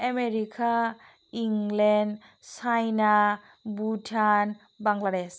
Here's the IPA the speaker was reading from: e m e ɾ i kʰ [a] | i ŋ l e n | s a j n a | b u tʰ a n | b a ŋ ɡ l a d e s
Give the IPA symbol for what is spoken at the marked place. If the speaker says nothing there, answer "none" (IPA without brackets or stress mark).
a